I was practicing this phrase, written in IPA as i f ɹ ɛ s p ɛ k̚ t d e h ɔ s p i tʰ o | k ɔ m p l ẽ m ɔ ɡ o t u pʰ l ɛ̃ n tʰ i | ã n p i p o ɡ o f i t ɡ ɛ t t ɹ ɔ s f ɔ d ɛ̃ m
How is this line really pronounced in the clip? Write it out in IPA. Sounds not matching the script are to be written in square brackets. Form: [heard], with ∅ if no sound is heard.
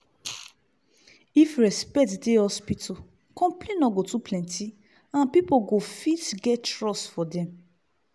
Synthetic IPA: i f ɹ ɛ s p ɛ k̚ t d e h ɔ s p i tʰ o | k [ɔ̃] m p l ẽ [n] ɔ ɡ o t u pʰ l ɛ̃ n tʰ i | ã n p i p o ɡ o f i t ɡ ɛ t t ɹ ɔ s f ɔ d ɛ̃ m